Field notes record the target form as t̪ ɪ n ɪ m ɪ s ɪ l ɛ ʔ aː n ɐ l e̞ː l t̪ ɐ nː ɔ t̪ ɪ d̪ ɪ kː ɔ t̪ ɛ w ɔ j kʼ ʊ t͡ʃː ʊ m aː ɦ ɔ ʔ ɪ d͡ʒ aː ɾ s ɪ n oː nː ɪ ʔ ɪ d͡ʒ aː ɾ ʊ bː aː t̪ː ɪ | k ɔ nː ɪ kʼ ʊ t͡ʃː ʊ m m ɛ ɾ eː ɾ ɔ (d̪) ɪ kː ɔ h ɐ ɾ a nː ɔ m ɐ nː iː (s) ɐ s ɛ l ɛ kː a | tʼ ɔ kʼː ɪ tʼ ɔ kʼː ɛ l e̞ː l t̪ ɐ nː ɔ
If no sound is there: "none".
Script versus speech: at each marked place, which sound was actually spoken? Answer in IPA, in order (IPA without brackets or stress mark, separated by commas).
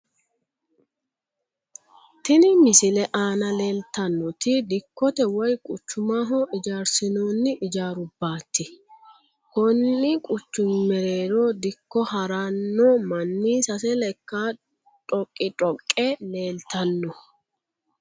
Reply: d̪, s